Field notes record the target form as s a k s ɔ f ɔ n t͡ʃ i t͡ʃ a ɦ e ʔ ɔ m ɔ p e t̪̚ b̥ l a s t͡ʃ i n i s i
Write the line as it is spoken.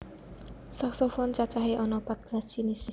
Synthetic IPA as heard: s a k s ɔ f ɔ n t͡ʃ a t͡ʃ a ɦ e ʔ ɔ n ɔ p a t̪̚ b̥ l a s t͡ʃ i n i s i